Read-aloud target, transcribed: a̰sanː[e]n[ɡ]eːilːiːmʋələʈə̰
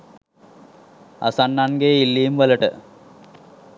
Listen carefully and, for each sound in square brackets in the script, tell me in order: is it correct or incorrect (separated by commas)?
incorrect, correct